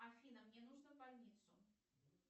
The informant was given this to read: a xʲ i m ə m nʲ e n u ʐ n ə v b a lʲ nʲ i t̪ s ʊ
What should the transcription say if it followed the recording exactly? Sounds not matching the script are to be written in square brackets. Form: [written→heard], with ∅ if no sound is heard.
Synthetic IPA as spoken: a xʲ i [m→n] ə m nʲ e n u ʐ n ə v b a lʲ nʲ i t̪ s ʊ